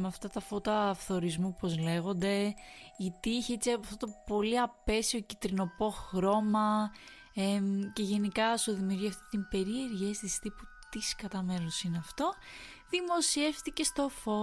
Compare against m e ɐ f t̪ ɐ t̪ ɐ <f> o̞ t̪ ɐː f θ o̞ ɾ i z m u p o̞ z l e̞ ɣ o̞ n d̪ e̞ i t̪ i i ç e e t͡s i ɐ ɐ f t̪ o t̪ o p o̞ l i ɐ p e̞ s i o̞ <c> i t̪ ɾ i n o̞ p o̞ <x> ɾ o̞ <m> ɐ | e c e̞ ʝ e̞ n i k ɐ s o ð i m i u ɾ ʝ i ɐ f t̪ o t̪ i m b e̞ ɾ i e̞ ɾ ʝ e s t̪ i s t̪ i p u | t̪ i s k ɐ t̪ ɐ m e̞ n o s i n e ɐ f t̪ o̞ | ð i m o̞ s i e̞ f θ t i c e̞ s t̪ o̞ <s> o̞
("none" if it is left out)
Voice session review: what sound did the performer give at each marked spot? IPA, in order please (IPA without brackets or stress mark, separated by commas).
f, c, x, m, f